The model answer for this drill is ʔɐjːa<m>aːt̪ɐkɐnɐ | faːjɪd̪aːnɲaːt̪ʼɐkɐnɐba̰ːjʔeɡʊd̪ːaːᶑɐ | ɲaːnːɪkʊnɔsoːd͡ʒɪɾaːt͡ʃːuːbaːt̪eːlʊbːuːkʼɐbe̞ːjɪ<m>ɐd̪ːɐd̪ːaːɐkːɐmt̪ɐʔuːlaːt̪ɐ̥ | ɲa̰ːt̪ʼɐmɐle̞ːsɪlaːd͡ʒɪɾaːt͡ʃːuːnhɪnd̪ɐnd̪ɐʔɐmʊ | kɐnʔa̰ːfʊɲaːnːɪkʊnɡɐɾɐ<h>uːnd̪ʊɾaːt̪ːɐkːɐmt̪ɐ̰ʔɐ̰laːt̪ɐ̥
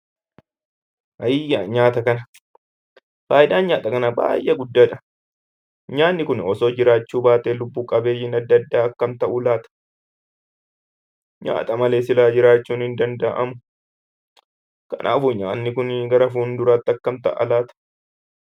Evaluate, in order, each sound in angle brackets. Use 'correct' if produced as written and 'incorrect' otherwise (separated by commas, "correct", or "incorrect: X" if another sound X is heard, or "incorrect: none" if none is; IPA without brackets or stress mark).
incorrect: ɲ, incorrect: n, incorrect: f